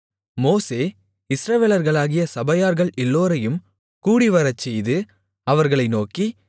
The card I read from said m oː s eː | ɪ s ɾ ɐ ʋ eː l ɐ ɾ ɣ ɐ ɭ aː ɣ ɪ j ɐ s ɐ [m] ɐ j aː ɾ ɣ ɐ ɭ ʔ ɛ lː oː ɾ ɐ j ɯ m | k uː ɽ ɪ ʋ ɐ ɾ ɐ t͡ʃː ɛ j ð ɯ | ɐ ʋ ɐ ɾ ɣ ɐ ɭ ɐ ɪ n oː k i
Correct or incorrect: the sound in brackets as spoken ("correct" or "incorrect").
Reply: incorrect